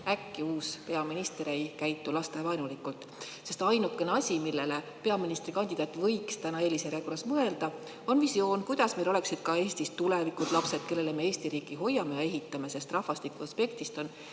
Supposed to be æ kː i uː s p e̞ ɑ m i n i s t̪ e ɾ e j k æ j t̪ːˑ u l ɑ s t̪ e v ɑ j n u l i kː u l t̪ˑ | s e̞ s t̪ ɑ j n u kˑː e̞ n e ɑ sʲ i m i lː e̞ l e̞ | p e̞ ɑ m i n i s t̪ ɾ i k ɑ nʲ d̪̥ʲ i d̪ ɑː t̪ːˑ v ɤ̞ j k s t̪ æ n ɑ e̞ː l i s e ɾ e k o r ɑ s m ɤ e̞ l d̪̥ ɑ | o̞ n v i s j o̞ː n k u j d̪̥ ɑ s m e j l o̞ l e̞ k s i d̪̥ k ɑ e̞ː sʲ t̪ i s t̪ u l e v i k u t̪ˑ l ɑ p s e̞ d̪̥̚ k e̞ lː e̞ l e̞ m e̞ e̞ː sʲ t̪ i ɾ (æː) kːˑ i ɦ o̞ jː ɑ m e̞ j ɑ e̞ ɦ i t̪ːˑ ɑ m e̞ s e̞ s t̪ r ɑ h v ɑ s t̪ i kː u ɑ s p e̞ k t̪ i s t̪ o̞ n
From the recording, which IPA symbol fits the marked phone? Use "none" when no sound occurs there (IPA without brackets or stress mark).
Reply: iː